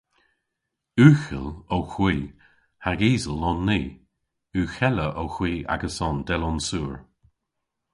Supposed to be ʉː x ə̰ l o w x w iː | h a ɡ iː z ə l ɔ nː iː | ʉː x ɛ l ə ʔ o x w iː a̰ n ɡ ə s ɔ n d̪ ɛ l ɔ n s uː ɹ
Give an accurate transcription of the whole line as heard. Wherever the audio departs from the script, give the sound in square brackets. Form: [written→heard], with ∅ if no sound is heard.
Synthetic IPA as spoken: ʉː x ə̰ l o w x w iː | h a ɡ iː z ə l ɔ nː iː | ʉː x ɛ l ə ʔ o x w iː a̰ [n→∅] ɡ ə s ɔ n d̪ ɛ l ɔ n s uː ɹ